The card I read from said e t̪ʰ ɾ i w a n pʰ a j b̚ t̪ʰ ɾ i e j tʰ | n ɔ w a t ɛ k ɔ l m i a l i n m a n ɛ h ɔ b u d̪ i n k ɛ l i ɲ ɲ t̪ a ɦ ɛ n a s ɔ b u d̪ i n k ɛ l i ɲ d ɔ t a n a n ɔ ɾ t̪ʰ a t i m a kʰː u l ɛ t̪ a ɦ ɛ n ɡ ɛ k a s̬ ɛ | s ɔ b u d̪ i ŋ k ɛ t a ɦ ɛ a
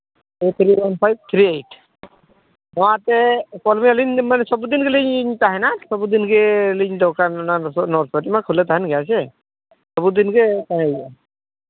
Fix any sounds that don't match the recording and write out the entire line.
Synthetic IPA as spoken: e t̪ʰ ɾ i w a n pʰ a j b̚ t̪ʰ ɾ i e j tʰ | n ɔ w a t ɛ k ɔ l m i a l i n m a n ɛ s ɔ b u d̪ i n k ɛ l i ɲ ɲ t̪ a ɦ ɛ n a s ɔ b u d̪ i n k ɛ l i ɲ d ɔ k a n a n ɔ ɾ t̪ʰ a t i m a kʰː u l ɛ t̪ a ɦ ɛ n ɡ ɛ a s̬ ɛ | s ɔ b u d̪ i n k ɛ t a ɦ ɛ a